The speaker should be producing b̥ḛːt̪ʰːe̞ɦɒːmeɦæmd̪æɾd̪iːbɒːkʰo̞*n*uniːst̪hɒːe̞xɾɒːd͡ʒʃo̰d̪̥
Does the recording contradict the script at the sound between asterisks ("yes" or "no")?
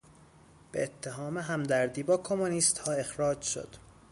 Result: yes